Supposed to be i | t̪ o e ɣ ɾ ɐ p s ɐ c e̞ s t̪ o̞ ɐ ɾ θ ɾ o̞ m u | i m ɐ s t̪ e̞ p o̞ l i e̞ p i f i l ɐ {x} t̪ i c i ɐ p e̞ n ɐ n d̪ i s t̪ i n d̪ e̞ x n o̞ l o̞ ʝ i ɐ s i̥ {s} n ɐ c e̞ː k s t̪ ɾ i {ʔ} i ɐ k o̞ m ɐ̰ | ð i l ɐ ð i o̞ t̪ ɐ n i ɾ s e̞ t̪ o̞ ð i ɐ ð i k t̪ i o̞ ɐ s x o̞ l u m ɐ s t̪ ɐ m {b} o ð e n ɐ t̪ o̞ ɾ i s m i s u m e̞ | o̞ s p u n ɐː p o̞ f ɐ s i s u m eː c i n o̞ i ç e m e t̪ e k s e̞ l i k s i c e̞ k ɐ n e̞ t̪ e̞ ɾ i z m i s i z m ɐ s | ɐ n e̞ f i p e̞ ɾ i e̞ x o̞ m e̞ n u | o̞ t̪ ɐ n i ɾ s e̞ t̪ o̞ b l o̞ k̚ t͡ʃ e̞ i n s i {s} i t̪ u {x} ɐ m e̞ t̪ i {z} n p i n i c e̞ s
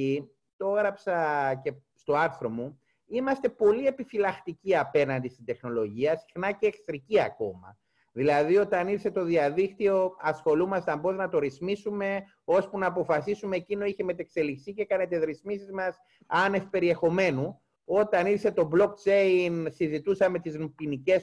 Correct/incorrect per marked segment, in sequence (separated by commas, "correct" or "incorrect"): correct, incorrect, incorrect, correct, incorrect, incorrect, correct